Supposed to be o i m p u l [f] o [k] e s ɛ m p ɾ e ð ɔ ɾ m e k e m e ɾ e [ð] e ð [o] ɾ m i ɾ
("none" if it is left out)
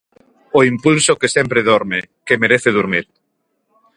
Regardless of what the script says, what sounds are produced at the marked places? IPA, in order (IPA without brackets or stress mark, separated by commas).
s, k, θ, u